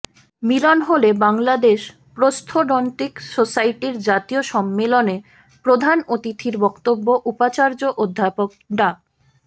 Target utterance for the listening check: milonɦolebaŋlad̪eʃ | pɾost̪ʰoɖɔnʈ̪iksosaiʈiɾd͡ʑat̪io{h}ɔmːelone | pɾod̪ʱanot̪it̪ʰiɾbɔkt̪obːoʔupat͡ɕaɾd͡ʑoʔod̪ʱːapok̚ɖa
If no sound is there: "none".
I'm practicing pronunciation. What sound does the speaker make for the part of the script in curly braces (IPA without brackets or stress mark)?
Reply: ʃ